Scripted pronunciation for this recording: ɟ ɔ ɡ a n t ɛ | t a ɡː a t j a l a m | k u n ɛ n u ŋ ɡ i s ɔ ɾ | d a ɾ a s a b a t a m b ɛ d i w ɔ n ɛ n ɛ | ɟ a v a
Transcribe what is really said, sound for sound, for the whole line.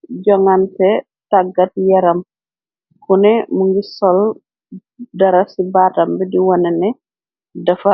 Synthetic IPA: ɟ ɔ ŋ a n t ɛ | t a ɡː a t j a ɾ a m | k u n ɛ m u ŋ ɡ i s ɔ l | d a ɾ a s i b a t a m b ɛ d i w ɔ n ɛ n ɛ | d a f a